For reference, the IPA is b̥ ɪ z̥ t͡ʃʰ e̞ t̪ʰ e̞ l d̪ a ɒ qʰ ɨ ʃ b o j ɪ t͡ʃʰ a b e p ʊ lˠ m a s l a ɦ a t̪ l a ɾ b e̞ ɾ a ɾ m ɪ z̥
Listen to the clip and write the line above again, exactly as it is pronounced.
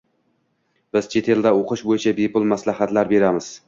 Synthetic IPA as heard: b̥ ɪ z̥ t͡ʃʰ e̞ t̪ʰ e̞ l d̪ a o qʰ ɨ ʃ b o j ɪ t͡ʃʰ a b e p ʊ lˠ m a s l a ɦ a t̪ l a ɾ b e̞ ɾ a m ɪ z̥